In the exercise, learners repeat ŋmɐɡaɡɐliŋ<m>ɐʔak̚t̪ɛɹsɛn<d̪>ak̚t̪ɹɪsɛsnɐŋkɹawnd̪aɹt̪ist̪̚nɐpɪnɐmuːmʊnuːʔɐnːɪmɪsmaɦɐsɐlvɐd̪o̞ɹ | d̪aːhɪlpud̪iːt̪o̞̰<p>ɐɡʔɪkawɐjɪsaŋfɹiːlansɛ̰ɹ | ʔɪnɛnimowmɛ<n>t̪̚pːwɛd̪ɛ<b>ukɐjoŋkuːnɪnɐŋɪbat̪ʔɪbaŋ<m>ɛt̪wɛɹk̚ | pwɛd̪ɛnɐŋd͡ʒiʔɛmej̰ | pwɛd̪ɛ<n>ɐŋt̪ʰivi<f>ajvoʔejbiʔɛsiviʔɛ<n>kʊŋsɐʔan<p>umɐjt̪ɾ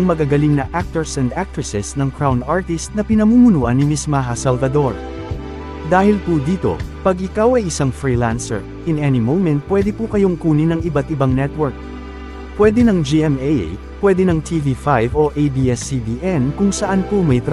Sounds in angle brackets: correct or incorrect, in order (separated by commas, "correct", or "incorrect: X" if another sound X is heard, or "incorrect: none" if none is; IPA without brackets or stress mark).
incorrect: n, correct, correct, correct, incorrect: p, incorrect: n, correct, correct, correct, correct